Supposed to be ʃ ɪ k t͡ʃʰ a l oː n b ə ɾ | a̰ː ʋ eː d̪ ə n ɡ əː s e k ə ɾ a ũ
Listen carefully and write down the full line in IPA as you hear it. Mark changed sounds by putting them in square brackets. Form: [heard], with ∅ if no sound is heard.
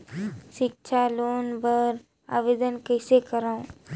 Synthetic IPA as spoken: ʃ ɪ k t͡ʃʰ a l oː n b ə ɾ | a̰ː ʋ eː d̪ ə n [k] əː s e k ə ɾ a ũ

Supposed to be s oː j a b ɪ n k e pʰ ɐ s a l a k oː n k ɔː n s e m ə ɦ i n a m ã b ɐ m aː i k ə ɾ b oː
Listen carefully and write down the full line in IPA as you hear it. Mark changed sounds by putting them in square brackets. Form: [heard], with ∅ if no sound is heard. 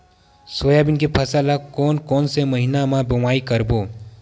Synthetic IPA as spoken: s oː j a b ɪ n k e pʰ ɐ s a l a k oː n k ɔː n s e m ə ɦ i n a m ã b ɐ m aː i k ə ɾ b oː

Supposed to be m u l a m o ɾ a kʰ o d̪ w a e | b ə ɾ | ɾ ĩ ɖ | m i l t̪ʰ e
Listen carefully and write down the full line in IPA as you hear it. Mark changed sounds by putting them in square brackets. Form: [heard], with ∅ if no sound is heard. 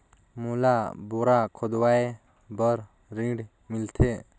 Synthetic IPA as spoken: m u l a [b] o ɾ a kʰ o d̪ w a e | b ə ɾ | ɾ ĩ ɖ | m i l t̪ʰ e

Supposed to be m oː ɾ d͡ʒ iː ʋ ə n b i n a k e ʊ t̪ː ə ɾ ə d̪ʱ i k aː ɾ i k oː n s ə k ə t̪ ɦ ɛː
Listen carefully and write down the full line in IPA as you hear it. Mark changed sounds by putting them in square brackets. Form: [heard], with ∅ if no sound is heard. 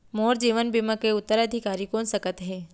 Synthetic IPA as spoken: m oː ɾ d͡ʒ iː ʋ ə n b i [m] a k e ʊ t̪ː ə ɾ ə d̪ʱ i k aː ɾ i k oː n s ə k ə t̪ ɦ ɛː

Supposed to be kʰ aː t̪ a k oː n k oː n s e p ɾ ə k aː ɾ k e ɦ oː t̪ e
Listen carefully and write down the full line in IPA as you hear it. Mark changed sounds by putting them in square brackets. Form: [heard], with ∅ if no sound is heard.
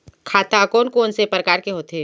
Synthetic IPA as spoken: kʰ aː t̪ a k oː n k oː n s e p ɾ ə k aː ɾ k e ɦ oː t̪ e

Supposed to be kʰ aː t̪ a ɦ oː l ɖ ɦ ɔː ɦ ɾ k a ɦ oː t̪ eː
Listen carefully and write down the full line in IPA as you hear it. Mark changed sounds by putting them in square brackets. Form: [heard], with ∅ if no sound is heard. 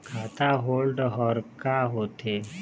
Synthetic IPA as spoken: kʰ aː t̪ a ɦ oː l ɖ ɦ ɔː [∅] ɾ k a ɦ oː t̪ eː

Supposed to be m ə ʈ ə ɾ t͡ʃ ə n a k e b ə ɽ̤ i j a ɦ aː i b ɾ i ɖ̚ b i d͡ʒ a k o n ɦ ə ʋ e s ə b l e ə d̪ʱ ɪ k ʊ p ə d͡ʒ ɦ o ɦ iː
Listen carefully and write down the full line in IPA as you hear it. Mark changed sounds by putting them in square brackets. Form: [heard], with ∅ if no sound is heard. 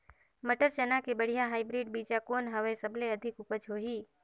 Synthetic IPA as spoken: m ə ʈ ə ɾ t͡ʃ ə n a k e b ə ɽ̤ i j a ɦ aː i b ɾ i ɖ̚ b i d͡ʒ a k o n ɦ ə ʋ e s ə b l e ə d̪ʱ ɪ k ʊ p ə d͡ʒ ɦ o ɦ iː

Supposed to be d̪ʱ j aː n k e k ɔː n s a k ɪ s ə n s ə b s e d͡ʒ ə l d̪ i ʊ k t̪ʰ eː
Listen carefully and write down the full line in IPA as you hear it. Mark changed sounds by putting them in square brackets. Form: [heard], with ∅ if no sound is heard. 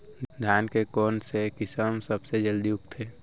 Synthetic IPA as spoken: d̪ʱ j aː n k e k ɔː n s [e] k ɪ s ə [m] s ə b s e d͡ʒ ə l d̪ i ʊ k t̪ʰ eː

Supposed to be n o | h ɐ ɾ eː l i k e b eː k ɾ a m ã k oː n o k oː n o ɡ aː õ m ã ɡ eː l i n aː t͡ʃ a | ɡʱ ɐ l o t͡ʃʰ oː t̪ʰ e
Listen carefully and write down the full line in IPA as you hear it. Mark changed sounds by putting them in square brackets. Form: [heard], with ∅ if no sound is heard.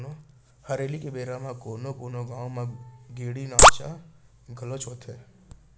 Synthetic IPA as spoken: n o | h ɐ ɾ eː l i k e b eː [∅] ɾ a m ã k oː n o k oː n o ɡ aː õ m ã ɡ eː [ɽ] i n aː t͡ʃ a | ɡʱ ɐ l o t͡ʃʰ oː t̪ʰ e

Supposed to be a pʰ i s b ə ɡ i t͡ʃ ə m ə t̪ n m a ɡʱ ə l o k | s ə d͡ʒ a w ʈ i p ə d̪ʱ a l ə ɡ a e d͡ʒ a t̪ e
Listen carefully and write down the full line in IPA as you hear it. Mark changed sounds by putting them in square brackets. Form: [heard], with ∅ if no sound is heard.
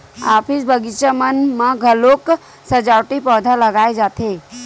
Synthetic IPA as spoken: a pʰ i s b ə ɡ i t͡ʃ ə m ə [∅] n m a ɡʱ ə l o k | s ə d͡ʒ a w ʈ i p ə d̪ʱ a l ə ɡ a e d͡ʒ a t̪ e

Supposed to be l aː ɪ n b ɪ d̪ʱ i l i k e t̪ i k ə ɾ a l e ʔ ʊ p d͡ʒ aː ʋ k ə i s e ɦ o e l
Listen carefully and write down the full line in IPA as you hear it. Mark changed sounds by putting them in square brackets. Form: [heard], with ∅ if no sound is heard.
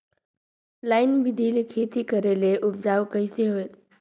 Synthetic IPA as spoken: l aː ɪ n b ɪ d̪ʱ i l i [kʰ] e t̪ i k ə ɾ [e] l e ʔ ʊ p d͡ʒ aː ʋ k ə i s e ɦ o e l

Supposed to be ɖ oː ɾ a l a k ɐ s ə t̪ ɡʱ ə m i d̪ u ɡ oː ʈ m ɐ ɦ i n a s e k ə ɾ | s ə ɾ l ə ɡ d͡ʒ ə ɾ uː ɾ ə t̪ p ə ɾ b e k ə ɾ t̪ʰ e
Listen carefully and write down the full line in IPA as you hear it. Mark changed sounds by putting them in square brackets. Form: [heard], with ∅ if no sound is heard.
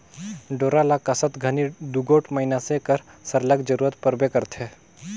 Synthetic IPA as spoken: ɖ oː ɾ a l a k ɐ s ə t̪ ɡʱ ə [n] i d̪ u ɡ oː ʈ m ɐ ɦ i n a s e k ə ɾ | s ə ɾ l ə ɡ d͡ʒ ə ɾ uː ɾ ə t̪ p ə ɾ b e k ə ɾ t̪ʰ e

